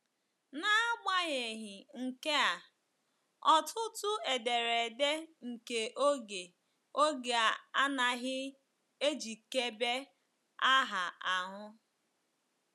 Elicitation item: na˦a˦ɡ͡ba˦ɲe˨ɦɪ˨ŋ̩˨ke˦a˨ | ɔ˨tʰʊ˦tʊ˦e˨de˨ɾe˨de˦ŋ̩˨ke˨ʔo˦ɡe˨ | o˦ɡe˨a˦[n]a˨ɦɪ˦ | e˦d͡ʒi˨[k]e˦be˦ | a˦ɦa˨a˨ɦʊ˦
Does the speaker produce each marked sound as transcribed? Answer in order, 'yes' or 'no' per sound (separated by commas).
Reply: yes, yes